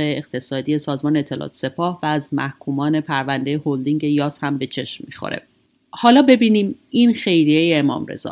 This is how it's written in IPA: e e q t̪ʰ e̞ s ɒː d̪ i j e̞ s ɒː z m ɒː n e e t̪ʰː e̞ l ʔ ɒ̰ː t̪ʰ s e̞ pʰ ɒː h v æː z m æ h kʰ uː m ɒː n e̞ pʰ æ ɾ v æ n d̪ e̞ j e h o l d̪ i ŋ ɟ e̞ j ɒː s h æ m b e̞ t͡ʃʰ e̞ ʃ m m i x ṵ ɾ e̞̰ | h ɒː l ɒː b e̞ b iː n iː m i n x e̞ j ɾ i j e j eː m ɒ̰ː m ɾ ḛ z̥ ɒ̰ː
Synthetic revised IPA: e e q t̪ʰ e̞ s ɒː d̪ i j e̞ s ɒː z m ɒː n e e t̪ʰː e̞ l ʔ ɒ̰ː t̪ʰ s e̞ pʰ ɒː h v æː z m æ h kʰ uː m ɒː n e̞ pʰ æ ɾ v æ n d̪ e̞ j e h o l d̪ i ŋ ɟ e̞ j ɒː s h æ m b e̞ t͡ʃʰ e̞ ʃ m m i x o̰ ɾ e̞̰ | h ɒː l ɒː b e̞ b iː n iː m i n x e̞ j ɾ i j e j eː m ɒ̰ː m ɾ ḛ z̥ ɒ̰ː